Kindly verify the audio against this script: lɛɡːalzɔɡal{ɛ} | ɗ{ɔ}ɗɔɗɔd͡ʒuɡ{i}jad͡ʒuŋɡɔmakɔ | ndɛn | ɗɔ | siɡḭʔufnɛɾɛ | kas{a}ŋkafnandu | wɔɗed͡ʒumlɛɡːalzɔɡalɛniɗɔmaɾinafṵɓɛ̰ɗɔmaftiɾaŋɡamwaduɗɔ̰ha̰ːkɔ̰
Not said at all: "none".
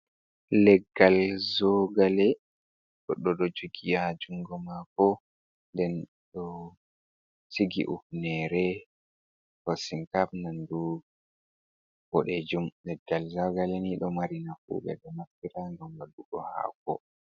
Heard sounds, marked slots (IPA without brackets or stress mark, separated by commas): ɛ, ɔ, i, i